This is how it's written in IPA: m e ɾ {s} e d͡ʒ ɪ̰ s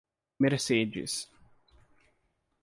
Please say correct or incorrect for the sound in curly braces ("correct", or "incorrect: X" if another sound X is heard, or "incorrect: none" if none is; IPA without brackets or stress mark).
correct